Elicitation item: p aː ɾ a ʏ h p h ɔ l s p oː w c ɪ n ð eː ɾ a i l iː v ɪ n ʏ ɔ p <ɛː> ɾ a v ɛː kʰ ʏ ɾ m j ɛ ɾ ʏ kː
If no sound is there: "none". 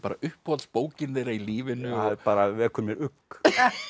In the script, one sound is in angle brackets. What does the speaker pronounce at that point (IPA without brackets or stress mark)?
aː